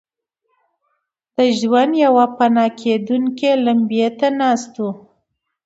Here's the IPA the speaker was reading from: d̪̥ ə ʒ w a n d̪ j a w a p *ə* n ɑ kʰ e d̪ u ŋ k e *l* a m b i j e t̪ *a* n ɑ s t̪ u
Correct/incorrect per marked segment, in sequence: incorrect, correct, correct

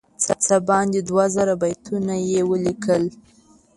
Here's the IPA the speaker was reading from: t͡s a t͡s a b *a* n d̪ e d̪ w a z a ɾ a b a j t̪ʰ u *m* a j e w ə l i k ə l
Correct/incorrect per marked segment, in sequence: incorrect, incorrect

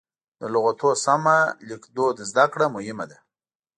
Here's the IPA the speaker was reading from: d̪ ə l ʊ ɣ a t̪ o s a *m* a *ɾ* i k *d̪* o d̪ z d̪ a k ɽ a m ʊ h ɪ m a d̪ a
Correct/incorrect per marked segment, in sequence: correct, incorrect, correct

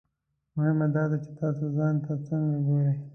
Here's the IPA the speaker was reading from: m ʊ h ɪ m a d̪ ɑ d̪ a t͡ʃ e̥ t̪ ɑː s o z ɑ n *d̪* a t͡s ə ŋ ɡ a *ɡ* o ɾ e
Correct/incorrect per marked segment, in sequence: incorrect, correct

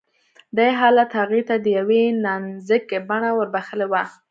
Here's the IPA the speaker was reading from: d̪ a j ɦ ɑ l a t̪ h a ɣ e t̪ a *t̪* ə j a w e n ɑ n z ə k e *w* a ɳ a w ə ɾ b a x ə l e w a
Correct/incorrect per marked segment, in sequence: incorrect, incorrect

